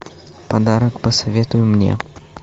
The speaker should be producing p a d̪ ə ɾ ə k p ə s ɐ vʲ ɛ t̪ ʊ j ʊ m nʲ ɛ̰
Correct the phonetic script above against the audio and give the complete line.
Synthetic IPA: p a d̪ a ɾ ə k p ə s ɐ vʲ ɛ t̪ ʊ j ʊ m nʲ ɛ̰